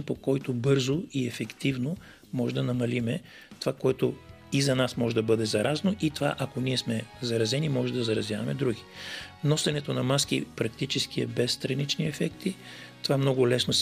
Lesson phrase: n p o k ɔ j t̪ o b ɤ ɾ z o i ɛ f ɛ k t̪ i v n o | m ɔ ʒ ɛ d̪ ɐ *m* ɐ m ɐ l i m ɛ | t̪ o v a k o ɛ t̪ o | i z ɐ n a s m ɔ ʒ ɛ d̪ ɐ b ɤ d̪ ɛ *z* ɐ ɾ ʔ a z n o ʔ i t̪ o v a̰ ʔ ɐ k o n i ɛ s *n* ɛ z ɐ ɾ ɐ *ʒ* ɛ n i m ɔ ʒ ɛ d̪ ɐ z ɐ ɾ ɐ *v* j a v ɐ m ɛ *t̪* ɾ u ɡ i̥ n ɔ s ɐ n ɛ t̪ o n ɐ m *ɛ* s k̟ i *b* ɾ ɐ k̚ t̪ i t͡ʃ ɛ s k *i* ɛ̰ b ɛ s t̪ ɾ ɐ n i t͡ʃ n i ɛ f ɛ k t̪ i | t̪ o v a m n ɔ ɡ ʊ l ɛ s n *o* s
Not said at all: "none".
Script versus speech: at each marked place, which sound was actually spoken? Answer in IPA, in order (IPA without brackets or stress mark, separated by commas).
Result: n, z, m, z, z, d̪, a, p, i, o